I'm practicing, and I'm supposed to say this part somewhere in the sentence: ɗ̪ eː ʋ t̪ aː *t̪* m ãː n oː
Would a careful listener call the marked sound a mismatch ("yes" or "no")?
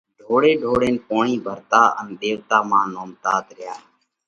yes